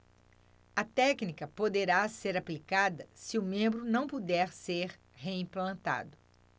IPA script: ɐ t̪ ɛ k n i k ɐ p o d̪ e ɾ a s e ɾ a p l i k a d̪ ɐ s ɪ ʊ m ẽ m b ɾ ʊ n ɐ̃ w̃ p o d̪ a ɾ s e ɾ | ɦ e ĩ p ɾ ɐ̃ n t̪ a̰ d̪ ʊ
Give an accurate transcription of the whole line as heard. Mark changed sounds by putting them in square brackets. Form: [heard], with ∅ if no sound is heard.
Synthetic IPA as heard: ɐ t̪ ɛ k n i k ɐ p o d̪ e ɾ a s e ɾ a p l i k a d̪ ɐ s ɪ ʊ m ẽ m b ɾ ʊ n ɐ̃ w̃ p [u] d̪ [ɛ] ɾ s e ɾ | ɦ e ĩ p [l] ɐ̃ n t̪ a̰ d̪ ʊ